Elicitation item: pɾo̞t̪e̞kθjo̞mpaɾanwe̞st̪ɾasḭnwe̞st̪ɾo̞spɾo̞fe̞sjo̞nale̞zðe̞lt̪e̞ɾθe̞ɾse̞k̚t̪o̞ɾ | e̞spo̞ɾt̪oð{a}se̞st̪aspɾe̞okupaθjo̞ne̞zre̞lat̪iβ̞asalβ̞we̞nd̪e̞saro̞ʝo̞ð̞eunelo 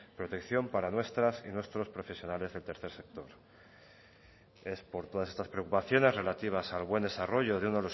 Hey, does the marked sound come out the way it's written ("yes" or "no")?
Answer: yes